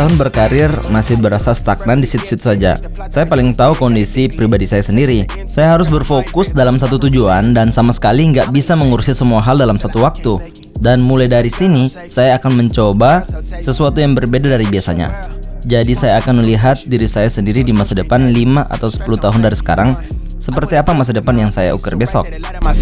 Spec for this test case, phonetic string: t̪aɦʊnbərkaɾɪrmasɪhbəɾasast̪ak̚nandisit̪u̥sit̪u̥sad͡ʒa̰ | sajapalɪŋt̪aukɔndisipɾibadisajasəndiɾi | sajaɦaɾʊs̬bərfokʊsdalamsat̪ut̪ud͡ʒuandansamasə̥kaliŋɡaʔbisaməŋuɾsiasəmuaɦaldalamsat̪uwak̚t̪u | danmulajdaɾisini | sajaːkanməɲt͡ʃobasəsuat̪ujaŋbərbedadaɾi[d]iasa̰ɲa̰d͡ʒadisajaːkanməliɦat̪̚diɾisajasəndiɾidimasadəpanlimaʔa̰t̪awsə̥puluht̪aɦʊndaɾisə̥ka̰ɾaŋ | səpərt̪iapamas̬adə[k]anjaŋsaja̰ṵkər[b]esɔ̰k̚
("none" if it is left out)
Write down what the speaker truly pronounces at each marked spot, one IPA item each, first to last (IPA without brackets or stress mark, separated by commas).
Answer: b, p, b